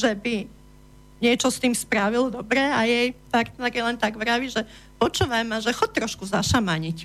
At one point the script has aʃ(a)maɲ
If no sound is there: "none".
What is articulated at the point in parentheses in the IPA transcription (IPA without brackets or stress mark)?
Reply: a